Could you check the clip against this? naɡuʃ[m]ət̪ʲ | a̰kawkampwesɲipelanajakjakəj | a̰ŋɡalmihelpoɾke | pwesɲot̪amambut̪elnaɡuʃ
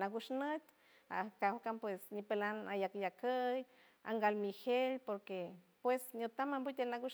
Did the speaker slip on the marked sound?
yes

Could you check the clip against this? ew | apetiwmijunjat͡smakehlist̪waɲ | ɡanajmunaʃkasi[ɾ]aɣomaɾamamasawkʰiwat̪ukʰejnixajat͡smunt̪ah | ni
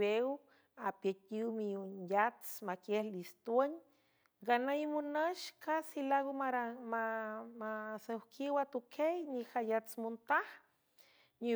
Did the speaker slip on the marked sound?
yes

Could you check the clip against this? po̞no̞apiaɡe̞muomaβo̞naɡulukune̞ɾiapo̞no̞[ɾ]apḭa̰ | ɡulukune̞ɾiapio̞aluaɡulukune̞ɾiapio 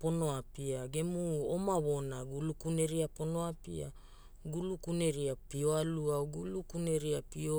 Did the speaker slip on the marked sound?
yes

